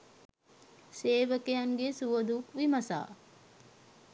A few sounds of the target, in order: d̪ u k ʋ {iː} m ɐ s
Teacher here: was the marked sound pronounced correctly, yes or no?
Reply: no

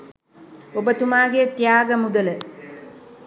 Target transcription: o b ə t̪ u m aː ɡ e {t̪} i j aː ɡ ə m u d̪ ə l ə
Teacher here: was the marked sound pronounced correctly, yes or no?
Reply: yes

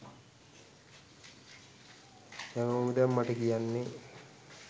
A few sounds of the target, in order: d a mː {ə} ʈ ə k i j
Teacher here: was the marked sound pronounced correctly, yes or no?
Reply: no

